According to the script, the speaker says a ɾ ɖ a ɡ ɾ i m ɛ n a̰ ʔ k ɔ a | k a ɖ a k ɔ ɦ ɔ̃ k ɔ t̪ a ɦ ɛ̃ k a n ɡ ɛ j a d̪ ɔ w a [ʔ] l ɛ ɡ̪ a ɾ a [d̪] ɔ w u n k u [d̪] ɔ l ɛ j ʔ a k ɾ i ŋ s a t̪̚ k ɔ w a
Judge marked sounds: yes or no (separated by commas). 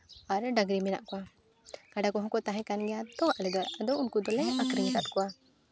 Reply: yes, yes, yes